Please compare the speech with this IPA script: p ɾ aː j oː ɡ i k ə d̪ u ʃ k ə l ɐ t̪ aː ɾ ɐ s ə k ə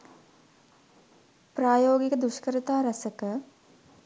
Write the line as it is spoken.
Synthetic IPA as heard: p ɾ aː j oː ɡ i k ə d̪ u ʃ k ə ɾ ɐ t̪ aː ɾ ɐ s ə k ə